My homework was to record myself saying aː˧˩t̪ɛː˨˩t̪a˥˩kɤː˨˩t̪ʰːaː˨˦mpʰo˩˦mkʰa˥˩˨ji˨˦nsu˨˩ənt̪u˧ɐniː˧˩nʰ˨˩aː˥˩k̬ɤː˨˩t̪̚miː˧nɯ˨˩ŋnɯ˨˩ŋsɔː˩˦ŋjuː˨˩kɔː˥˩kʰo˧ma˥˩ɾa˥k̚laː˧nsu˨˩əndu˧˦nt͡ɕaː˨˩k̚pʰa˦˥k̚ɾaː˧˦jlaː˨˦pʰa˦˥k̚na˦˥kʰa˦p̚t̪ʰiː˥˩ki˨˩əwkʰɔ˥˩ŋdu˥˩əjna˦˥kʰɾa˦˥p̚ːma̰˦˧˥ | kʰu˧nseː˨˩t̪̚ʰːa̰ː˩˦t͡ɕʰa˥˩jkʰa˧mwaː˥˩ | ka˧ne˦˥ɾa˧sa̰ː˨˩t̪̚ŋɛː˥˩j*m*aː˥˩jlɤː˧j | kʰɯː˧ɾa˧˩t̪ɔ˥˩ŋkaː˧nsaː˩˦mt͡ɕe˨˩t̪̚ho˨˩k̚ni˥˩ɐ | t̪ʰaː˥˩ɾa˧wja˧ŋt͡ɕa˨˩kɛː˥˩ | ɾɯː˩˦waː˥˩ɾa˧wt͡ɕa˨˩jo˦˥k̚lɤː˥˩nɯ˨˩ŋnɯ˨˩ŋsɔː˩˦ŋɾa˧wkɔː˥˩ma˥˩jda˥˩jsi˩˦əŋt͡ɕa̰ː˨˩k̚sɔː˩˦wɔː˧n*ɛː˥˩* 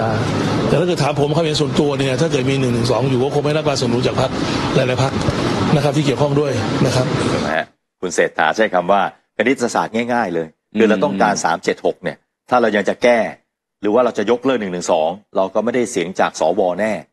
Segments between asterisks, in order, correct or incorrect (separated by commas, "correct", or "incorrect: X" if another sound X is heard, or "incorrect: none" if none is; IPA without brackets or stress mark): incorrect: ŋ, correct